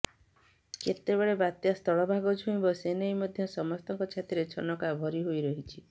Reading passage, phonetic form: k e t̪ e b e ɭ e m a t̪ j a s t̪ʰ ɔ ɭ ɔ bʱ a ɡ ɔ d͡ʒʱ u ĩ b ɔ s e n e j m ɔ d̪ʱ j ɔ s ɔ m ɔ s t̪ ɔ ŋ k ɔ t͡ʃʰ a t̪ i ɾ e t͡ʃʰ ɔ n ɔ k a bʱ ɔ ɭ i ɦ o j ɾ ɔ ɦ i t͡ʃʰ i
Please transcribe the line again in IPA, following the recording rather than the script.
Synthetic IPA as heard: k e t̪ e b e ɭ e b a t̪ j a s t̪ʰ ɔ ɭ ɔ bʱ a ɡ ɔ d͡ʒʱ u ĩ b ɔ s e n e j m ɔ d̪ʱ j ɔ s ɔ m ɔ s t̪ ɔ ŋ k ɔ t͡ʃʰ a t̪ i ɾ e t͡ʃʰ ɔ n ɔ k a bʱ ɔ ɾ i ɦ o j ɾ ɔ ɦ i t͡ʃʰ i